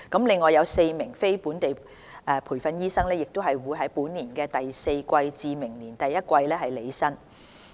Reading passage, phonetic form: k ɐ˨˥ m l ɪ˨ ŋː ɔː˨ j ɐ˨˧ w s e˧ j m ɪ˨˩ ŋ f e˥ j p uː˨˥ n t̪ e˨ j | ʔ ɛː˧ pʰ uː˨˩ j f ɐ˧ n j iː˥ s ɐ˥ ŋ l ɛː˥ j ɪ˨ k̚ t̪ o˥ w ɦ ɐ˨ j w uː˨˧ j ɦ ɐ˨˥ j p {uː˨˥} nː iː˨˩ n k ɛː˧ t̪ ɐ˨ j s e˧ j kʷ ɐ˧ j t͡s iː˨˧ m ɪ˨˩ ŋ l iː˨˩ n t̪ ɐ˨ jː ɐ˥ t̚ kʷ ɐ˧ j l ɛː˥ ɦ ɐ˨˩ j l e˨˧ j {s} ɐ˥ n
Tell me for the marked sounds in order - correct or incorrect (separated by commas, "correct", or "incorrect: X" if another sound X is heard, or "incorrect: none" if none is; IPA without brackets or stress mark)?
correct, correct